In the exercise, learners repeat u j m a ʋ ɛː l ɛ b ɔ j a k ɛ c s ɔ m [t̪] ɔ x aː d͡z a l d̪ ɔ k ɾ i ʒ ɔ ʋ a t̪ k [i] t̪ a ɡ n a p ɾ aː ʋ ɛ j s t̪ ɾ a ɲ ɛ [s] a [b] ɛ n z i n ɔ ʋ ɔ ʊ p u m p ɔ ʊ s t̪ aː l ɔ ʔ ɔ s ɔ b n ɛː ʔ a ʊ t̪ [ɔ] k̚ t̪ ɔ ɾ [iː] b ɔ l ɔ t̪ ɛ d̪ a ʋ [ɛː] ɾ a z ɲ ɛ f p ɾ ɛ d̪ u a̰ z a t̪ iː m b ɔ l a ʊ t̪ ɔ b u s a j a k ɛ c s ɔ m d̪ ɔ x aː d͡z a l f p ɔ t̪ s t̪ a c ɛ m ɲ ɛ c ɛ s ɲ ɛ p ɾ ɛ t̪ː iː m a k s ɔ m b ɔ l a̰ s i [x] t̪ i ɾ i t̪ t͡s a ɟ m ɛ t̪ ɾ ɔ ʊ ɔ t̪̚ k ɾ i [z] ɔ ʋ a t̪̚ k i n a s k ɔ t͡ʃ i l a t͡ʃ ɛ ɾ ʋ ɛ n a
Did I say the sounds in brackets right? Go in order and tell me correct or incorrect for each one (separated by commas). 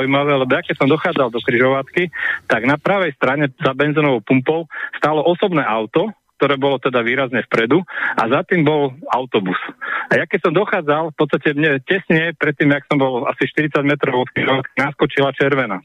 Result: incorrect, correct, incorrect, correct, correct, incorrect, incorrect, incorrect, incorrect